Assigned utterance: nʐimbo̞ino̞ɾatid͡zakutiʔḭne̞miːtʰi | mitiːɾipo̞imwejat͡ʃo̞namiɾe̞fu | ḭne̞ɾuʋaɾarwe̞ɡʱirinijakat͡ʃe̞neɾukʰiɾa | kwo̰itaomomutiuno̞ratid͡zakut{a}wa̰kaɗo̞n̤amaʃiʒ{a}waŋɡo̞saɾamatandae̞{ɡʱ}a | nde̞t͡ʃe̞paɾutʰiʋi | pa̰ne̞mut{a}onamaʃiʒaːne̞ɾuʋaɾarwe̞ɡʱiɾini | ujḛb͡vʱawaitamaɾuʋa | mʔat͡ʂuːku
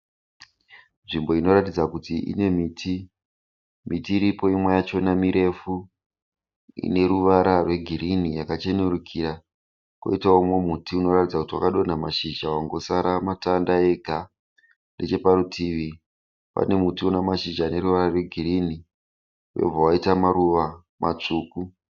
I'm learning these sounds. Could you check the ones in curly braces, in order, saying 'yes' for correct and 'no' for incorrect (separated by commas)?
no, yes, yes, no